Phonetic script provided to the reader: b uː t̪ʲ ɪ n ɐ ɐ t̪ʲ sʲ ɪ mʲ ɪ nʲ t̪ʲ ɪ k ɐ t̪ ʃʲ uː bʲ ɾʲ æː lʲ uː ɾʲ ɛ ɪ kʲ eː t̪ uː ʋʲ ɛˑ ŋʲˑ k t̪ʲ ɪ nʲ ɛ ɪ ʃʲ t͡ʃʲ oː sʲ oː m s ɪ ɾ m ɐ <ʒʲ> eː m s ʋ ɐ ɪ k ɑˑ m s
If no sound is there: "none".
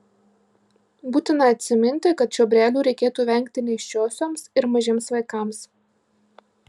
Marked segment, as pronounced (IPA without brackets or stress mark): ʒʲ